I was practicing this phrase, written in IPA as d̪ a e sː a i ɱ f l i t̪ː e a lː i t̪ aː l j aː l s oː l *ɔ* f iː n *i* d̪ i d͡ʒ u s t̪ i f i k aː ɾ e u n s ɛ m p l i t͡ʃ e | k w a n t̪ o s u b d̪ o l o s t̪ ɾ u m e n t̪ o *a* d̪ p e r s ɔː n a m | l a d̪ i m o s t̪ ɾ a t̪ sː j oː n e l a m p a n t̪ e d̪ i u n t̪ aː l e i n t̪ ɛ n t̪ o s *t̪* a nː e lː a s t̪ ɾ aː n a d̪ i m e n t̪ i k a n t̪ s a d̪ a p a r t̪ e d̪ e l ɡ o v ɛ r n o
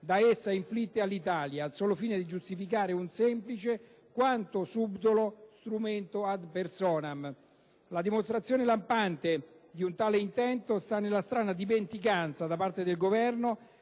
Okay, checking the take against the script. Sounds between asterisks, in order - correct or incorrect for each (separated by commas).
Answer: incorrect, incorrect, correct, correct